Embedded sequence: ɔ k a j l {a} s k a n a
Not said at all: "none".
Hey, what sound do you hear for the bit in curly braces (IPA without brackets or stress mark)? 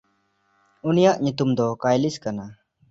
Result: i